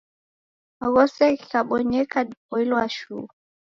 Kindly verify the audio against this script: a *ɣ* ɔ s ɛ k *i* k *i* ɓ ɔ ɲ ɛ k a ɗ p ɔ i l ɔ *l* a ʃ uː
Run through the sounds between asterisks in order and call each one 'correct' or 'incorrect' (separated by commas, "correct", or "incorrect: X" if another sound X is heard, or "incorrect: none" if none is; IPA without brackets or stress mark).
correct, correct, incorrect: a, incorrect: none